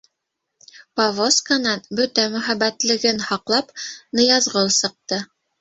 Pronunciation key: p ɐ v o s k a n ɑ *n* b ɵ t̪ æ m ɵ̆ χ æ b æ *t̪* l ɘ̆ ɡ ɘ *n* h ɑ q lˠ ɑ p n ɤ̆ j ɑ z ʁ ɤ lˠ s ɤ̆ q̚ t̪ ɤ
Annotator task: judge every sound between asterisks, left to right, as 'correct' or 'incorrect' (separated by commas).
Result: correct, correct, correct